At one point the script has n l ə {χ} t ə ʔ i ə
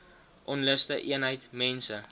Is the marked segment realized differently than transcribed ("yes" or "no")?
yes